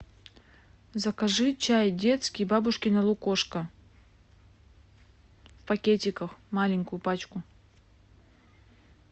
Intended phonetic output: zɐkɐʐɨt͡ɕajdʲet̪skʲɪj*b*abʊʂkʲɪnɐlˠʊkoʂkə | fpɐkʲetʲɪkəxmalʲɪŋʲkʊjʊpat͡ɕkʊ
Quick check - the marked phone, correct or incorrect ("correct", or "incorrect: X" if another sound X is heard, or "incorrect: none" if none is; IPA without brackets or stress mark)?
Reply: correct